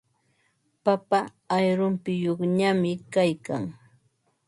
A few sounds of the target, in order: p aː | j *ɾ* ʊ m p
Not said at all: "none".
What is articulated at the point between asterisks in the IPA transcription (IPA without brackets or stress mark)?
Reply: ɾ